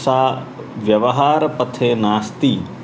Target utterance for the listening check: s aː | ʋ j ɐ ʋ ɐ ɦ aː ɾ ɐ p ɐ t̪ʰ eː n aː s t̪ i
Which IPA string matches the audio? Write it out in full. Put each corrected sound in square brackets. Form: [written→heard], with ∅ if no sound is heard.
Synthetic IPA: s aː | ʋ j ɐ ʋ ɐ ɦ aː ɾ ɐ p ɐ t̪ʰ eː n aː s t̪ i